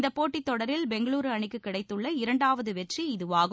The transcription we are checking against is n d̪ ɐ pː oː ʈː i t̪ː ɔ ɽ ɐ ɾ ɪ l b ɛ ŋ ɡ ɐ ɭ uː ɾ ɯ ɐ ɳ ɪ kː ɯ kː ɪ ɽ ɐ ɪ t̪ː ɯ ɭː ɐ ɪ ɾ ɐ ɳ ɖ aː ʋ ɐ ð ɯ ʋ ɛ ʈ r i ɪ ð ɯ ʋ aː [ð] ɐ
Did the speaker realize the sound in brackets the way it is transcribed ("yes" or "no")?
no